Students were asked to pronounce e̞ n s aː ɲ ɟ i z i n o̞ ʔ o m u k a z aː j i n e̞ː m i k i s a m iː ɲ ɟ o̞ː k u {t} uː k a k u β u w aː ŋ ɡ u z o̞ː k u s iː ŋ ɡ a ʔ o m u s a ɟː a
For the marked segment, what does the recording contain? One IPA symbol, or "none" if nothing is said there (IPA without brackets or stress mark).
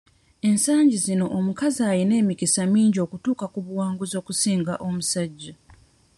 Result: t